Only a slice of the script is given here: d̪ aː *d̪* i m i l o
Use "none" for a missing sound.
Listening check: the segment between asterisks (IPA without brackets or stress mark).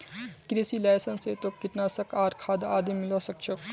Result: d̪